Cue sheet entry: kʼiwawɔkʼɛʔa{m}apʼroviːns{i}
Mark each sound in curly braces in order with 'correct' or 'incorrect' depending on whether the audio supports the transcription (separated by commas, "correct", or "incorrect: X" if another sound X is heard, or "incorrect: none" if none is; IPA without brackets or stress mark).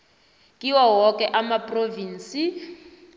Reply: correct, correct